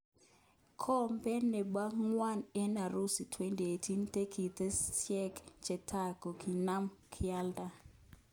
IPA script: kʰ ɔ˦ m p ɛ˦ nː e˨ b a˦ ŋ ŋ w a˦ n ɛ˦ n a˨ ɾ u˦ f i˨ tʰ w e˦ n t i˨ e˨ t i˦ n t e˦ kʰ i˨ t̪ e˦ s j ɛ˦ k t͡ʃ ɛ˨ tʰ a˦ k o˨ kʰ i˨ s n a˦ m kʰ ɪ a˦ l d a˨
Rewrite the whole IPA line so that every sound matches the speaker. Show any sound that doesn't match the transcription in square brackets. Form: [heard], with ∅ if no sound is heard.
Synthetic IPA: kʰ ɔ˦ m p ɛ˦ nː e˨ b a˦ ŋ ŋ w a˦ n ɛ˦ n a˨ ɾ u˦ [s] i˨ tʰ w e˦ n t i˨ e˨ t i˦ n t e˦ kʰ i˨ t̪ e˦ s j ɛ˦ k t͡ʃ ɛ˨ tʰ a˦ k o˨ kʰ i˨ [∅] n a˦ m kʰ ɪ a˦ l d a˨